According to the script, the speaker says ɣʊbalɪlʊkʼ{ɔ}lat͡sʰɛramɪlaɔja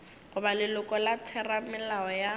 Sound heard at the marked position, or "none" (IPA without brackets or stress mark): ɔ